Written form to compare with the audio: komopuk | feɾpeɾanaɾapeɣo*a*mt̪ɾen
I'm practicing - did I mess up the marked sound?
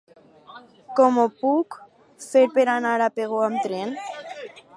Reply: no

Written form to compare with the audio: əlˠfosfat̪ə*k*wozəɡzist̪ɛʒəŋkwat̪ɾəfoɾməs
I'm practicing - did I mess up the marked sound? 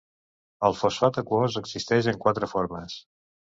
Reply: no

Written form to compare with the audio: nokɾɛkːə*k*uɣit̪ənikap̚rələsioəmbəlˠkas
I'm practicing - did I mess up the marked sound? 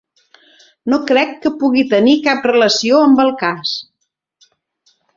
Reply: yes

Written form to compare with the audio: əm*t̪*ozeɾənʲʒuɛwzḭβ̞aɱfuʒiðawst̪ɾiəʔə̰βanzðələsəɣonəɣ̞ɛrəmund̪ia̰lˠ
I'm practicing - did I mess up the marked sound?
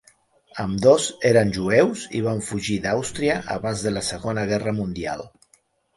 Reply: yes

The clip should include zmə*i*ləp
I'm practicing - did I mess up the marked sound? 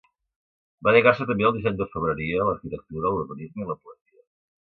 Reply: no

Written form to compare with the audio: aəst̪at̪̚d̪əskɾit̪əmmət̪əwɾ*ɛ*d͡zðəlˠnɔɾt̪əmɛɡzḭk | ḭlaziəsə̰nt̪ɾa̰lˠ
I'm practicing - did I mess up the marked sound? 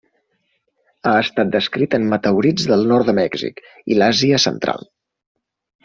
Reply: yes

